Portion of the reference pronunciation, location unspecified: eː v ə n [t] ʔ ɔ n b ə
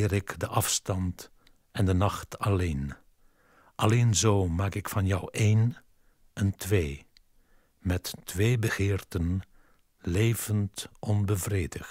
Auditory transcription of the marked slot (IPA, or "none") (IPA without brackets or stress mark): t